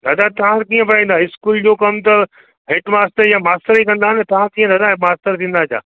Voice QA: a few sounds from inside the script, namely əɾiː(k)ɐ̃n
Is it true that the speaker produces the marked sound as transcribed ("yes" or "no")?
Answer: yes